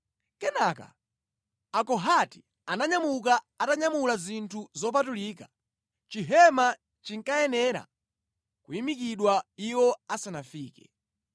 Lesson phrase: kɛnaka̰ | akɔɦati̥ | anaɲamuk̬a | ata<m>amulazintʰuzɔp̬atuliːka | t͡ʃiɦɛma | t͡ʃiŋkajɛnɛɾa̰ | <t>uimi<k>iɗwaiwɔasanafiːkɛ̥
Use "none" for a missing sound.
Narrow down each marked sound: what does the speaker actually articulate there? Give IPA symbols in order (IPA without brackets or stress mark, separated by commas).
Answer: ɲ, k, k